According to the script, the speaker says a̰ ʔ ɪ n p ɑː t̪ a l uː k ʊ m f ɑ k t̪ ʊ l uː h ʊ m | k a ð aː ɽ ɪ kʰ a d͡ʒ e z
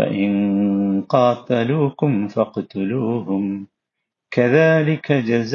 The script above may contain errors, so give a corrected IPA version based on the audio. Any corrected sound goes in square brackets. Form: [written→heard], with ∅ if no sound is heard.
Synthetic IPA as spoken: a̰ ʔ ɪ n [p→q] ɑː t̪ a l uː k ʊ m f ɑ [k→q] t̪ ʊ l uː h ʊ m | k a ð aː [ɽ→l] ɪ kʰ a d͡ʒ [e→a] z